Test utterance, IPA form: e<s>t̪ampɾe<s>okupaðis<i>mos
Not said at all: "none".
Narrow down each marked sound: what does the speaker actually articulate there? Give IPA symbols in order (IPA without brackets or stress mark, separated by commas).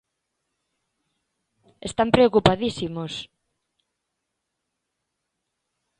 s, none, i